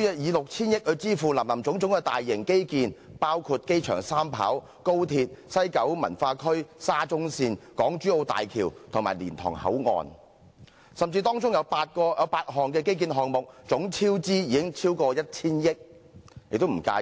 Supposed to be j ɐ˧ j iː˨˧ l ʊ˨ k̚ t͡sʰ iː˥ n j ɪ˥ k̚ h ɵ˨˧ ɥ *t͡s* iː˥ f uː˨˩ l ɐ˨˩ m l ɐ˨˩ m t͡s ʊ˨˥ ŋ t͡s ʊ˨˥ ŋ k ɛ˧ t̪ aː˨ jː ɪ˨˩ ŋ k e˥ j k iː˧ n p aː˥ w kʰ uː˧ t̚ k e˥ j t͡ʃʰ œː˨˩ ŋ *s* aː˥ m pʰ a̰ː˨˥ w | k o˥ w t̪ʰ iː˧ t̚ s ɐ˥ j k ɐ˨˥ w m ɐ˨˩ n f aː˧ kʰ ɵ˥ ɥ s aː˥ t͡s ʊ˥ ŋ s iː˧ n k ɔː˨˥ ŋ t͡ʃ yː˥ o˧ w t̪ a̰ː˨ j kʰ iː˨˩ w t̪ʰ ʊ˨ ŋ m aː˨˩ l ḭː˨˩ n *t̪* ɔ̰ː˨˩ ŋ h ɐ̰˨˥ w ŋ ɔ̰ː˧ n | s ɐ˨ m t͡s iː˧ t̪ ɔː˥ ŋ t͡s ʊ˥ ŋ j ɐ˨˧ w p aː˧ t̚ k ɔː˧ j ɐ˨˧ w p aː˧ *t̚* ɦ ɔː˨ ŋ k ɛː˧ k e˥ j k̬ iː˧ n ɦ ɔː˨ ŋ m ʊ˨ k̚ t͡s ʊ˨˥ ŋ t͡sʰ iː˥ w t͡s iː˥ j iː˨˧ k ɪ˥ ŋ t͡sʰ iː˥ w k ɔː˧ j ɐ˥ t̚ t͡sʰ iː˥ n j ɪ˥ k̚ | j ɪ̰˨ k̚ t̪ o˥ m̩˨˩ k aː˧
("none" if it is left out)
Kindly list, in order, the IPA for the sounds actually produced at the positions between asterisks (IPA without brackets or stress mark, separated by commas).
t͡s, s, t̪ʰ, t̚